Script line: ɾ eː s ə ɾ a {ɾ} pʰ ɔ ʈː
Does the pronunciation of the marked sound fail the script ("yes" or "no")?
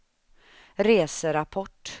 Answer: yes